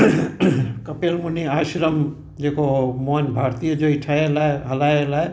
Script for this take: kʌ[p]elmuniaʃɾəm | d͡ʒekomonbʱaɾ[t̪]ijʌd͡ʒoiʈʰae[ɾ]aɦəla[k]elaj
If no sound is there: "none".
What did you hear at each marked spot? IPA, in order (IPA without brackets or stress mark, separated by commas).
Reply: p, t̪, l, none